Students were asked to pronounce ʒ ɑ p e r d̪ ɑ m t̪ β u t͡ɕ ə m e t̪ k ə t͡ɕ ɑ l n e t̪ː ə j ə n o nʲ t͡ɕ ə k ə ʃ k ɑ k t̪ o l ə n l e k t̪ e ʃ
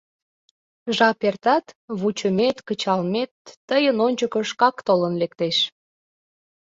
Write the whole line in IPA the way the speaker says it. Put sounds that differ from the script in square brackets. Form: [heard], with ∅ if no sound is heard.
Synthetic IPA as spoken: ʒ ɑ p e r [t̪] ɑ [∅] t̪ β u t͡ɕ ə m e t̪ k ə t͡ɕ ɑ l [m] e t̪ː ə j ə n o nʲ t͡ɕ ə k ə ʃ k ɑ k t̪ o l ə n l e k t̪ e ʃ

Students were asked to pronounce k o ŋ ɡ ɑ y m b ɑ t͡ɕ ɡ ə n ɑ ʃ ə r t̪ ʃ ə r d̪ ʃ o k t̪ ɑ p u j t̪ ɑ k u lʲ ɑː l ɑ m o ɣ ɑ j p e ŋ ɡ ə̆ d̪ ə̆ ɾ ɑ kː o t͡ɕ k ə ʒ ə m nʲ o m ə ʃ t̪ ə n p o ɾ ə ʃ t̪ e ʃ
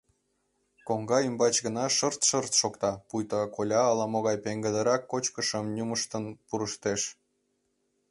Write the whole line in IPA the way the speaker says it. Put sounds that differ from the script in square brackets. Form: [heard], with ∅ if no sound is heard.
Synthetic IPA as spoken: k o ŋ ɡ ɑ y m b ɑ t͡ɕ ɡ ə n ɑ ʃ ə r t̪ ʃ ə r [t̪] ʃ o k t̪ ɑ p u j t̪ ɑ k [o] lʲ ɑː l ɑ m o ɣ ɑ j p e ŋ ɡ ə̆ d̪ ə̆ ɾ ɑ kː o t͡ɕ k ə [ʃ] ə m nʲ [u] m ə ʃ t̪ ə n p [u] ɾ ə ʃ t̪ e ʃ

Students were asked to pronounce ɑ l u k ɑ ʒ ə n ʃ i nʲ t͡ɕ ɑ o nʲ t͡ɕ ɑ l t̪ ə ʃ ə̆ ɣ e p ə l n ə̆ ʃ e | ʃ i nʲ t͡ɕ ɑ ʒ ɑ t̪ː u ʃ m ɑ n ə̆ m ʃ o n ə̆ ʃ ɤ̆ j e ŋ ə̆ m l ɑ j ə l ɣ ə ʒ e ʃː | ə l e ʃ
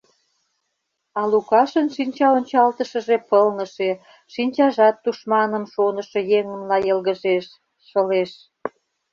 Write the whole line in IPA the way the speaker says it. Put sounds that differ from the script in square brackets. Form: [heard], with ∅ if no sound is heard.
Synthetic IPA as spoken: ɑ l u k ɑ [ʃ] ə n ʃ i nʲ t͡ɕ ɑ o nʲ t͡ɕ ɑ l t̪ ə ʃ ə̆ [ʒ] e p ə l n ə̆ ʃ e | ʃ i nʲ t͡ɕ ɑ ʒ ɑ t̪ː u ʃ m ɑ n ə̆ m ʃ o n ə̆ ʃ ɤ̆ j e ŋ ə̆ m l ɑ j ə l ɣ ə ʒ e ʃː | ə l e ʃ

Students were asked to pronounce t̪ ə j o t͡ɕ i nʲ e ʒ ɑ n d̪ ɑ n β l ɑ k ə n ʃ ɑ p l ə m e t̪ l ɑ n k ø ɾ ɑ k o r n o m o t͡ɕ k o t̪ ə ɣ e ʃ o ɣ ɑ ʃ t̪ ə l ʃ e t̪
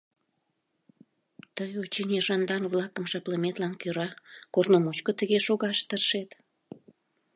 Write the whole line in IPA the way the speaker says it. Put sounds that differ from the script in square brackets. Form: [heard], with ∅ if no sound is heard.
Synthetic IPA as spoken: t̪ ə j o t͡ɕ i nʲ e ʒ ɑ n d̪ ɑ n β l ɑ k ə [m] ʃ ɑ p l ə m e t̪ l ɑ n k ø ɾ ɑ k o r n o m o t͡ɕ k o t̪ ə ɣ e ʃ o ɣ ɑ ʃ t̪ ə [r] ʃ e t̪

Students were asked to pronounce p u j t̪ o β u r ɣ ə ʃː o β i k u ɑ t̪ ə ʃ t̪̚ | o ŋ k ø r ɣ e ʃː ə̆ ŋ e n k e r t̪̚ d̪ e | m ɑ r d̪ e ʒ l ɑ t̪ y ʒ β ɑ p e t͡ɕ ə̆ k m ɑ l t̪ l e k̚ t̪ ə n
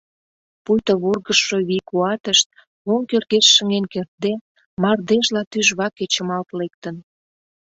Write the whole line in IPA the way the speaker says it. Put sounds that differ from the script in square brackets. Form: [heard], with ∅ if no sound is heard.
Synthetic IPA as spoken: p u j t̪ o β u r ɣ ə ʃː o β i k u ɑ t̪ ə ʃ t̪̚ | o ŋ k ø r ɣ e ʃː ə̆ ŋ e n k e r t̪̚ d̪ e | m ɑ r d̪ e ʒ l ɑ t̪ y ʒ β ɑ [k] e t͡ɕ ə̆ [∅] m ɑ l t̪ l e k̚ t̪ ə n

